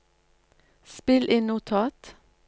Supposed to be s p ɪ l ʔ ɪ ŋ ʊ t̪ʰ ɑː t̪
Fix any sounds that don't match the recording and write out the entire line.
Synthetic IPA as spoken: s p ɪ l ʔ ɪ n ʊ t̪ʰ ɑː t̪

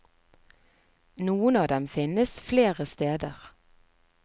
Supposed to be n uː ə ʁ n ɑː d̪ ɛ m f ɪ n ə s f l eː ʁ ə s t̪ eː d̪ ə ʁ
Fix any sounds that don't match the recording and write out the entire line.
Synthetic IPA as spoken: n uː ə n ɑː d̪ ɛ m f ɪ n ə s f l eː ʁ ə s t̪ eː d̪ ə ʁ

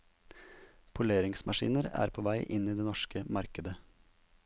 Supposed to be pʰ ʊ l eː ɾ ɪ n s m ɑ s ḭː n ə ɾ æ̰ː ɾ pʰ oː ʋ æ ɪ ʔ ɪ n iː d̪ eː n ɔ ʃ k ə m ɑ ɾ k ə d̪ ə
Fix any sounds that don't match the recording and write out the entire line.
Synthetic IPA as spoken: pʰ ʊ l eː ɾ ɪ ŋ s m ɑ ʃ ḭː n ə ɾ æ̰ː ɾ pʰ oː ʋ æ ɪ ʔ ɪ n iː d̪ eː n ɔ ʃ k ə m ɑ ɾ k ə d̪ ə

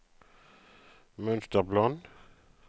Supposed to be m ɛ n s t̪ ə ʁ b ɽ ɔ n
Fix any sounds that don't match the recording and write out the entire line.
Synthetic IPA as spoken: m œ n s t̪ ə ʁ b l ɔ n

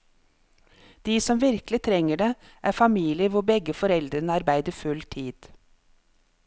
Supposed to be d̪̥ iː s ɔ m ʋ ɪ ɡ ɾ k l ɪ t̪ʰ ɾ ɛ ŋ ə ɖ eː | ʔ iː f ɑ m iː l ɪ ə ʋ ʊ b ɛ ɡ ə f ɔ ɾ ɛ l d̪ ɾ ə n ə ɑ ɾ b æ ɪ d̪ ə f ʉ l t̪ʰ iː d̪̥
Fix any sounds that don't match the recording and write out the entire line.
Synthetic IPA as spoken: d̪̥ iː s ɔ m ʋ ɪ ɾ k l ɪ t̪ʰ ɾ ɛ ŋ ə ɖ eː | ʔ æː f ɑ m iː l ɪ ə ʋ ʊ b ɛ ɡ ə f ɔ ɾ ɛ l d̪ ɾ ə n ə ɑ ɾ b æ ɪ d̪ ə f ʉ l t̪ʰ iː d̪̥

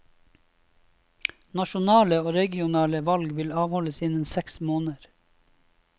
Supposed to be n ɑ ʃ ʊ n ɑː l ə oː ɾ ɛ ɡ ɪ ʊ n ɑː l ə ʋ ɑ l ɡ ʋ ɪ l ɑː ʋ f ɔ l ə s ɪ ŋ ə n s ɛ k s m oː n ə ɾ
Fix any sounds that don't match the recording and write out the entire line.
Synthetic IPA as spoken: n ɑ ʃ ʊ n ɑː l ə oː ɾ ɛ ɡ ɪ ʊ n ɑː l ə ʋ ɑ l ɡ ʋ ɪ l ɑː ʋ h ɔ l ə s ɪ n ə n s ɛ k s m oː n ə ɾ

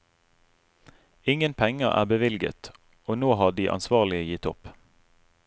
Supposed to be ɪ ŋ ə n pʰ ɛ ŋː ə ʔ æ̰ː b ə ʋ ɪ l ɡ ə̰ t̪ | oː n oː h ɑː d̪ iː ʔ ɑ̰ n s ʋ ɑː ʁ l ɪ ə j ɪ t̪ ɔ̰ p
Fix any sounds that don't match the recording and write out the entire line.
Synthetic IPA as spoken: ɪ ŋ ə n pʰ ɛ ŋ ə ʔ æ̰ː b ə ʋ ɪ l ɡ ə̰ t̪ | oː n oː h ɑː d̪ iː ʔ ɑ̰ n s ʋ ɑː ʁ l ɪ ə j ɪ t̪ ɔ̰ p

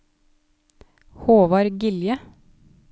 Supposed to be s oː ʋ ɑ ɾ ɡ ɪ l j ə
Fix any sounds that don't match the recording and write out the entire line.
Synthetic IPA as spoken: h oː ʋ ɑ ɾ ɡ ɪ l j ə

